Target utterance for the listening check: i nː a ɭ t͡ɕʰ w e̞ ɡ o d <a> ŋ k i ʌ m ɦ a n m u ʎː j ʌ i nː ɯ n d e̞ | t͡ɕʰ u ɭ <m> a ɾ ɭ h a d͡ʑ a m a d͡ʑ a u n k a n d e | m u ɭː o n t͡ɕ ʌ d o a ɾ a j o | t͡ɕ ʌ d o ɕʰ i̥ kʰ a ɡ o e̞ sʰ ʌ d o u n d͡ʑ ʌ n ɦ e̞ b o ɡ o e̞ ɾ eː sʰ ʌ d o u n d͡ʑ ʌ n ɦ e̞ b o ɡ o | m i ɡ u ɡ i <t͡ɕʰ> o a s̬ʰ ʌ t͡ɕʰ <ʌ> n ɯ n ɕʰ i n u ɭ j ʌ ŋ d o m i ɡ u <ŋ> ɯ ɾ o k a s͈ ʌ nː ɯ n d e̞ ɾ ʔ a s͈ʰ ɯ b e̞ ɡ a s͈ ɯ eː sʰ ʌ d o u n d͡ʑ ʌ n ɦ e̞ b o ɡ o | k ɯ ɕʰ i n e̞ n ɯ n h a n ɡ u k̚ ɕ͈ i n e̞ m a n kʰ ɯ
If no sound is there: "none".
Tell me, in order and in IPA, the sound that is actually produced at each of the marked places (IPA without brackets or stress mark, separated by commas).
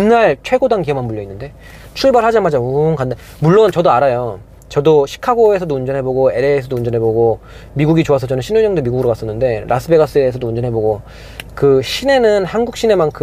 a, b, t͡ɕ, ʌ, ɡ